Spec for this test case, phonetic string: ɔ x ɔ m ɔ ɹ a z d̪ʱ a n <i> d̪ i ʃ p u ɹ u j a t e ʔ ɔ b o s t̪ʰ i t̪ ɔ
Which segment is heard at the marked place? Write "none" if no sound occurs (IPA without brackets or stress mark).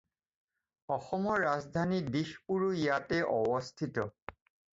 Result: i